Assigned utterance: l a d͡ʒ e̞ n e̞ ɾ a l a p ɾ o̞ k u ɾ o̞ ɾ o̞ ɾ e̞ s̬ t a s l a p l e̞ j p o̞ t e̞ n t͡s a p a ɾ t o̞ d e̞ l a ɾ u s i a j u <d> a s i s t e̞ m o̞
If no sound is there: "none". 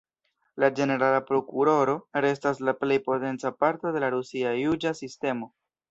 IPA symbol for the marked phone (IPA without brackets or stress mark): d͡ʒ